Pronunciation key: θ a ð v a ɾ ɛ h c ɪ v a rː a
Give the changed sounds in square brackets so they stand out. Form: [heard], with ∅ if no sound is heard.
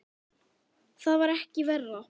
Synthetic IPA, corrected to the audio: θ a ð v a ɾ ɛ h c ɪ v [ɛ] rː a